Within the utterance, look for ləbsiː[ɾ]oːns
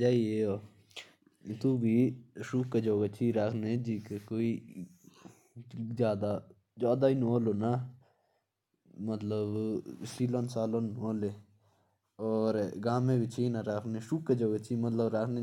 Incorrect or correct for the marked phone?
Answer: incorrect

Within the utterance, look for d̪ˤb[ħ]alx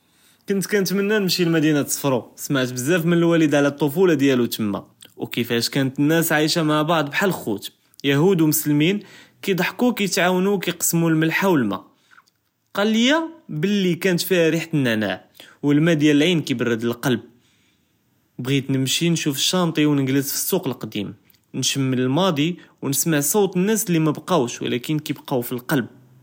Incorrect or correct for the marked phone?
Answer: correct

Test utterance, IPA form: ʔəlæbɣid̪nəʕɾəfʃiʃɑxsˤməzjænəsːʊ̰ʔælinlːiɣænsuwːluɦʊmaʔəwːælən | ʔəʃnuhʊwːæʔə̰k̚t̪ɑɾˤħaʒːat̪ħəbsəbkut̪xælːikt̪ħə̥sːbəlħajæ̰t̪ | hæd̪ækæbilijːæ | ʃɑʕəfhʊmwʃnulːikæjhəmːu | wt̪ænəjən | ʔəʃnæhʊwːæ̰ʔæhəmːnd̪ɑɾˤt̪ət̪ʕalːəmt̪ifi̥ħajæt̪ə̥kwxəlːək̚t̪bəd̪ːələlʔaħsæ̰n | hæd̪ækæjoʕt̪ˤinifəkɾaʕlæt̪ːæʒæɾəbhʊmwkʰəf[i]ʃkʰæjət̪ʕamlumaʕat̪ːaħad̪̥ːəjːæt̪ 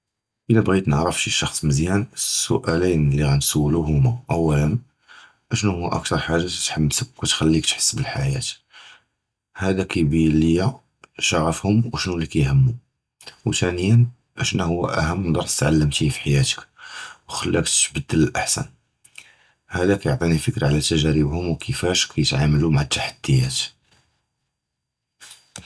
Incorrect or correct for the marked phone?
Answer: incorrect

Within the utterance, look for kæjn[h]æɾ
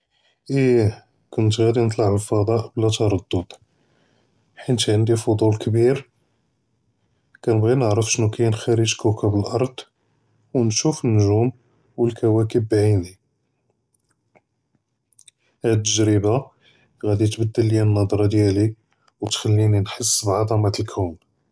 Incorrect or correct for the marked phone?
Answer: incorrect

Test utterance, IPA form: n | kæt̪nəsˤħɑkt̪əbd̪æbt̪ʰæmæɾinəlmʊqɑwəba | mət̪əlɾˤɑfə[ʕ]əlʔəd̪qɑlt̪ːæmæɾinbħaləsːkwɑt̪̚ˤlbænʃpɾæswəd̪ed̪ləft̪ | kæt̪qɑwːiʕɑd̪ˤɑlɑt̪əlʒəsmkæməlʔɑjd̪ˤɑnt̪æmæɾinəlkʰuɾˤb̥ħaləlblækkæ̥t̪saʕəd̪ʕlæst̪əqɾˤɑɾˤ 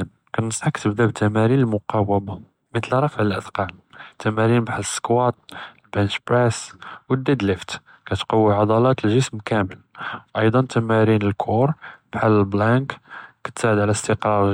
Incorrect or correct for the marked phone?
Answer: correct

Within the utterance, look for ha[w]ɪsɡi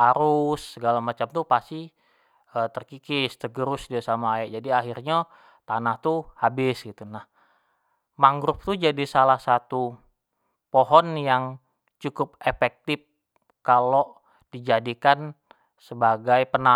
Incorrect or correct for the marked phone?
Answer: incorrect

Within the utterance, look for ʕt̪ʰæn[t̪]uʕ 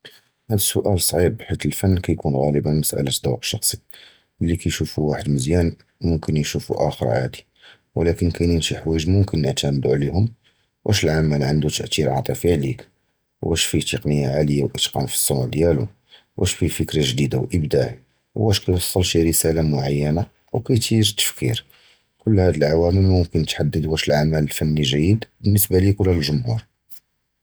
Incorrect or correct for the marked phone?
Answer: incorrect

